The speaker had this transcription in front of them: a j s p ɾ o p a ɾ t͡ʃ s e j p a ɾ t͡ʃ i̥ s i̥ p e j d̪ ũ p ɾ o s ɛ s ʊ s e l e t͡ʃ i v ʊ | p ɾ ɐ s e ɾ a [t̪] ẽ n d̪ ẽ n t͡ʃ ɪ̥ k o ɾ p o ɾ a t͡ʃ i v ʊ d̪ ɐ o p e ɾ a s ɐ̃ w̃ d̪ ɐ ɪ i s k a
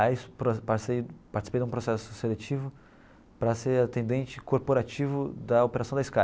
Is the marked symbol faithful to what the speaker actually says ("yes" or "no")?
yes